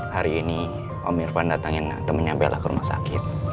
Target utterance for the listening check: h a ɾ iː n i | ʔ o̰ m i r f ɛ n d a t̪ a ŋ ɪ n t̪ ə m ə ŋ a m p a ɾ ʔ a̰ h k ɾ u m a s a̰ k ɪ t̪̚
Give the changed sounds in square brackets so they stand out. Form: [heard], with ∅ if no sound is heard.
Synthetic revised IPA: h a ɾ iː n i | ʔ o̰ m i r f [a] n d a t̪ a ŋ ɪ n t̪ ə m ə [ɲ] a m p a [l] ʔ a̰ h k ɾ u m a s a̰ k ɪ t̪̚